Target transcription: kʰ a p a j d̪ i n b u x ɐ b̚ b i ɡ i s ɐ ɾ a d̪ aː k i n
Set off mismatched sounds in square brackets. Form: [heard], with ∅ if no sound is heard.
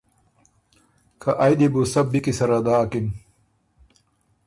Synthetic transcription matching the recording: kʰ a [ʔ] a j d̪ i [∅] b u [s] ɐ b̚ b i [k] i s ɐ ɾ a d̪ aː k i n